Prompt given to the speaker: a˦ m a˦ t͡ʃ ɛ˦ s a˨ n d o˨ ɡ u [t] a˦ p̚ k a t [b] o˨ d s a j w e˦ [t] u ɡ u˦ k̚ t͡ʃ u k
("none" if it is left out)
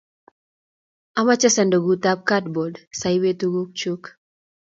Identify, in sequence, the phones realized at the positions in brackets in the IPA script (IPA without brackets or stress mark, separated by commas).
t, b, t